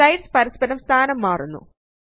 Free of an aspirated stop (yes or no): no